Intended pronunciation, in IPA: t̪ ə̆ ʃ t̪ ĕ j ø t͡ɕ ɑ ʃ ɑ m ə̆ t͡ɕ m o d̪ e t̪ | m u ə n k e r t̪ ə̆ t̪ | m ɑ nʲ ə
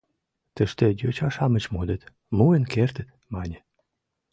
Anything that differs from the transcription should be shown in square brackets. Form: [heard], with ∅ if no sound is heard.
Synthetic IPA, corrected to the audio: t̪ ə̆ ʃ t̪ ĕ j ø t͡ɕ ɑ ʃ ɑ m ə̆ t͡ɕ m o d̪ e t̪ | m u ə n k e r t̪ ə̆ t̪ | m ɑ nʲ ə